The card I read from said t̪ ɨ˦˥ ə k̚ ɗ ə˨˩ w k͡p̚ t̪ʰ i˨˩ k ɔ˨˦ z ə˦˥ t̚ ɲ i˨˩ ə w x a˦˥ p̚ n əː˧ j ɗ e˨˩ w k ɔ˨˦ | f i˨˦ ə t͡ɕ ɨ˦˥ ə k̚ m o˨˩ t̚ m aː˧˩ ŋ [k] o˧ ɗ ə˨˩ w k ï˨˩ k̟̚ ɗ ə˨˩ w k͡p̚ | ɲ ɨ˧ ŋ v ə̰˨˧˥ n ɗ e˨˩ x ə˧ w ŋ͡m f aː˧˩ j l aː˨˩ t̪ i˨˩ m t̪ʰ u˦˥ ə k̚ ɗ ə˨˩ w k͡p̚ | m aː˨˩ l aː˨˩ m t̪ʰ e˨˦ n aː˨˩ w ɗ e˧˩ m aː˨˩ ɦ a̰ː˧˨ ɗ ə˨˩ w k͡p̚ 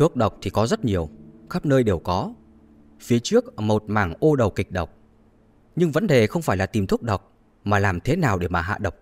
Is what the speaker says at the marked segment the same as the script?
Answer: no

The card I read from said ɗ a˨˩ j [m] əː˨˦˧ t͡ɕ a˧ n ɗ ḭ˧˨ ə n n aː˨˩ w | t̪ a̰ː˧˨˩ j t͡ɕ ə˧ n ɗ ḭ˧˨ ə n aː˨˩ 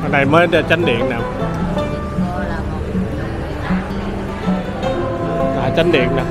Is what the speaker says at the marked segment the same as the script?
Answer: yes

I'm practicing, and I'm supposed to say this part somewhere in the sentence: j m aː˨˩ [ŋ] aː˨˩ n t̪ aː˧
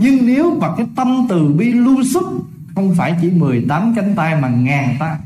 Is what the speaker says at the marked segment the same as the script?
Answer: yes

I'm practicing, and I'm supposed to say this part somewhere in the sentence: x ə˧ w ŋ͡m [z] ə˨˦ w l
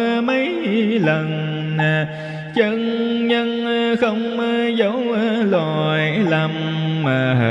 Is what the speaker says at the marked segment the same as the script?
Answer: yes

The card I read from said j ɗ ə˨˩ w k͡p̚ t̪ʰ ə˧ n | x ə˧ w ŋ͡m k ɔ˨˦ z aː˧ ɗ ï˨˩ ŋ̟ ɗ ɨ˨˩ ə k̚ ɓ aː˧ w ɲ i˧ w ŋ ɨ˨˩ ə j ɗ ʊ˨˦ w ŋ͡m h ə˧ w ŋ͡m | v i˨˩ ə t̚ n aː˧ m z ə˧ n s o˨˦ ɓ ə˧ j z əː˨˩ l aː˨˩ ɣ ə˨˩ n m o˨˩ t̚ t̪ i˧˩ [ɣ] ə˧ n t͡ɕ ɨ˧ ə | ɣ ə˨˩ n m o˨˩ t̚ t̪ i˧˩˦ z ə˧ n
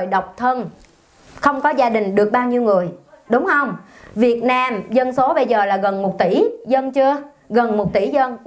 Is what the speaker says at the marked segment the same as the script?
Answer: no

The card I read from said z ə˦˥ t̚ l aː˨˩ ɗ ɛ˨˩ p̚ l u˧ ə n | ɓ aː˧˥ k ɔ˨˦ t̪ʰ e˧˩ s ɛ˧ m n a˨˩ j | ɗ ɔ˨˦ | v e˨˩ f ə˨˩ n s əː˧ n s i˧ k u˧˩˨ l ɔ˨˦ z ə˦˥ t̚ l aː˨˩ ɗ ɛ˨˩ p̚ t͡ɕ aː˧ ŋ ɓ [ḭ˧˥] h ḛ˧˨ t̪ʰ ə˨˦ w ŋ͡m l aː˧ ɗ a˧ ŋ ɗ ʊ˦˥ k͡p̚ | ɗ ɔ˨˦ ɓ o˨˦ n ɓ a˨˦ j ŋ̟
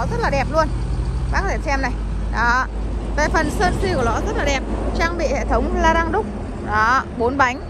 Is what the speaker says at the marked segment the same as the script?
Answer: no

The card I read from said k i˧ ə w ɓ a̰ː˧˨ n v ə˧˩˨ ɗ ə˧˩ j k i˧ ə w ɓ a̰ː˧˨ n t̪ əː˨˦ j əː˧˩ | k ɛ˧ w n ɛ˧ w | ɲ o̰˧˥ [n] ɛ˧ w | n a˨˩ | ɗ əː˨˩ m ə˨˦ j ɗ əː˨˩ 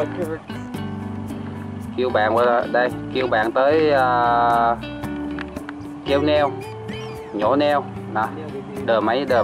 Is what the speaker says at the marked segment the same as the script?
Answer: yes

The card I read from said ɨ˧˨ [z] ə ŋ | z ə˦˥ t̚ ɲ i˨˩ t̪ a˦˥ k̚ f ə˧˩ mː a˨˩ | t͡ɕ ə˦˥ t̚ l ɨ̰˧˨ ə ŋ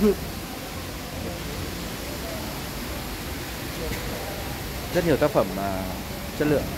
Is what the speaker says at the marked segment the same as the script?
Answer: no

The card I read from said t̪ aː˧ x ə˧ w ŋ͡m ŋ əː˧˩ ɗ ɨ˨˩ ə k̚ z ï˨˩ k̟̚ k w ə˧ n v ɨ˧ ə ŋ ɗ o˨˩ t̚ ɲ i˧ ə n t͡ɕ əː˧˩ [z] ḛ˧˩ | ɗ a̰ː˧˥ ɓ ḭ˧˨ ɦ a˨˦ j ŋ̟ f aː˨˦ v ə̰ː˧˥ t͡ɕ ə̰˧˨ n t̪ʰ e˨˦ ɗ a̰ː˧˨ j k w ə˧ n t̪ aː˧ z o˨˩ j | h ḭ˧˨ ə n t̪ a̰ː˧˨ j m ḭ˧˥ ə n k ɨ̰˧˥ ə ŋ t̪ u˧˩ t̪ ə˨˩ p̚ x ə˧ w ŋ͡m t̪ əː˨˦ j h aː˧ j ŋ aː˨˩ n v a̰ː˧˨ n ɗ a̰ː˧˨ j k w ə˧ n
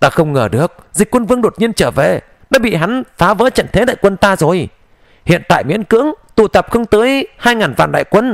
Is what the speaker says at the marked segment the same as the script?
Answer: no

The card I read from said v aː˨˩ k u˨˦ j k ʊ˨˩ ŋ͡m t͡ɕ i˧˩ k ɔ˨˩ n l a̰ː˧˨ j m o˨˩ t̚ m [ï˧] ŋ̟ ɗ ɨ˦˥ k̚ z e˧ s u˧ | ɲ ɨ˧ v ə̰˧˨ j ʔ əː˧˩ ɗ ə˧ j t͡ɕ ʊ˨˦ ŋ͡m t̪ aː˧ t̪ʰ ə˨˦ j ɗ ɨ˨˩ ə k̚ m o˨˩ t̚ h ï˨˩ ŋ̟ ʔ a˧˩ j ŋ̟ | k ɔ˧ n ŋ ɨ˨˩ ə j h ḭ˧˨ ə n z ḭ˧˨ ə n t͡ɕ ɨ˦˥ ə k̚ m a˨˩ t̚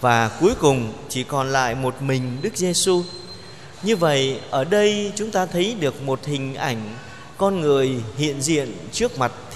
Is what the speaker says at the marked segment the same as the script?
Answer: no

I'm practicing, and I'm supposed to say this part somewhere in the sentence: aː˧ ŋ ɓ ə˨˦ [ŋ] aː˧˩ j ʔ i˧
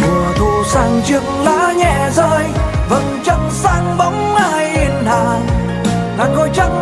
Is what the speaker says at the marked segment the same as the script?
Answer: no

